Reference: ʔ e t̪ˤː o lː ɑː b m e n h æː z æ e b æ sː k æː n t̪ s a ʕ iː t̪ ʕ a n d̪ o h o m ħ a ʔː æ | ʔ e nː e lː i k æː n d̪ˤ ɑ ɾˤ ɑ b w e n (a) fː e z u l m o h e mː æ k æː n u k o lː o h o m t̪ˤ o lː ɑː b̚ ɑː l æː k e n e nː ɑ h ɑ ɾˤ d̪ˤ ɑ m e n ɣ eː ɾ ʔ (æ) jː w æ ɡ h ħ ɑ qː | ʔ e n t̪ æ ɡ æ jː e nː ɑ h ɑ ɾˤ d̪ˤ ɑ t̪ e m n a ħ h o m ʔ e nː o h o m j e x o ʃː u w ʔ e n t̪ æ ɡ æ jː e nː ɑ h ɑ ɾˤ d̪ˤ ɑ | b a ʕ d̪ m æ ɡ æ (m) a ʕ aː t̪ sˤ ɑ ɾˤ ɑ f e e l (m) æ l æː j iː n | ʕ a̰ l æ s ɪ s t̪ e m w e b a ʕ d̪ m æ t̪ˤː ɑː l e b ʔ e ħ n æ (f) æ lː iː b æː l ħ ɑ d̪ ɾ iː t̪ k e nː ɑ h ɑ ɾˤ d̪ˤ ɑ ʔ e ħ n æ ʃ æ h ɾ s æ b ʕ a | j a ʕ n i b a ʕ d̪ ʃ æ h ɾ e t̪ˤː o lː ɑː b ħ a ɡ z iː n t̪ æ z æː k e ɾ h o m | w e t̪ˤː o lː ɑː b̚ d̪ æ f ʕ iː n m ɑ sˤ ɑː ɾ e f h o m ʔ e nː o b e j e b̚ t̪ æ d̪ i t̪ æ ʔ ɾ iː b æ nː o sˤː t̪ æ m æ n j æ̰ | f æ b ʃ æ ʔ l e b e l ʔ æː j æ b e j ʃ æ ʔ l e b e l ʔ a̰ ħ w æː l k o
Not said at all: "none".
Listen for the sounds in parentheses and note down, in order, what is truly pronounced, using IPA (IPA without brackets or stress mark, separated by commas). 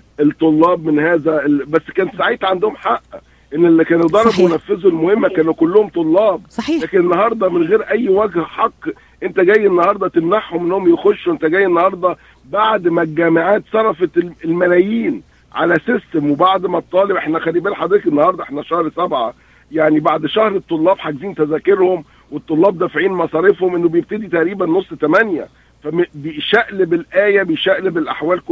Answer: æ, æ, m, m, x